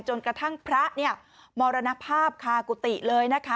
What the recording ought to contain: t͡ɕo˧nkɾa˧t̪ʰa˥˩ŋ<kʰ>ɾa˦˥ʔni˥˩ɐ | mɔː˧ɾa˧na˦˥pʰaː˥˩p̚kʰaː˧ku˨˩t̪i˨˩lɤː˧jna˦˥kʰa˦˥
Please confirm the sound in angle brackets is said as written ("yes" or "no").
no